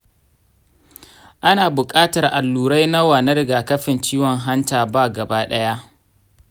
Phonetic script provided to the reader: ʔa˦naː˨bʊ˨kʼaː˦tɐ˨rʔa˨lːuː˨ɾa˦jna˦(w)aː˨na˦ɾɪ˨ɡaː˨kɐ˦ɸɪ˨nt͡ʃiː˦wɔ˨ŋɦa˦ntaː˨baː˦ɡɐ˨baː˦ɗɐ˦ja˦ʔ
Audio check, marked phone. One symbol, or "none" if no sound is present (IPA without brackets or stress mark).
w